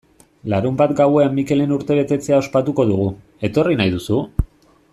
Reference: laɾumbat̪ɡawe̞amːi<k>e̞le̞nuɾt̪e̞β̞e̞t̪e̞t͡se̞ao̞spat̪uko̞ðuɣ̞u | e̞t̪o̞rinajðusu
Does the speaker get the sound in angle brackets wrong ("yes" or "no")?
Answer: no